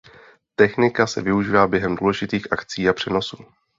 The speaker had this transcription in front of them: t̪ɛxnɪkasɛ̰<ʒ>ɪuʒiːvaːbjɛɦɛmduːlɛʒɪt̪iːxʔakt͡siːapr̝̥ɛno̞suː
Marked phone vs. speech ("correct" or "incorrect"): incorrect